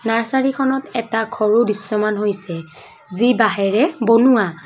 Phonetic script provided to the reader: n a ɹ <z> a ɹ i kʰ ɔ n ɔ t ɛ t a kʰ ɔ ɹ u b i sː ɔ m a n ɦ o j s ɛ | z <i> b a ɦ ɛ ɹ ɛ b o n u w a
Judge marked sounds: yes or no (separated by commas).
no, yes